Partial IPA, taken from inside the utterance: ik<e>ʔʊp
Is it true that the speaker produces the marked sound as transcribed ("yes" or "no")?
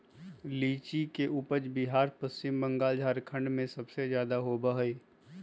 yes